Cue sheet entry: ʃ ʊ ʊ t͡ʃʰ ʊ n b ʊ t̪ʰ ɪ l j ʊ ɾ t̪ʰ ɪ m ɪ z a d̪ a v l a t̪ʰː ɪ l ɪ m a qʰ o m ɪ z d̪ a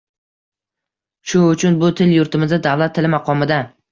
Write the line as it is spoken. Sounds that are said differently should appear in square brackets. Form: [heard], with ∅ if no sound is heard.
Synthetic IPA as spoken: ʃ ʊ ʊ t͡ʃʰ ʊ n b ʊ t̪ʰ ɪ l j ʊ ɾ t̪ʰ ɪ m ɪ z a d̪ a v l a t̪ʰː ɪ l ɪ m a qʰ [ɒ] m ɪ [∅] d̪ a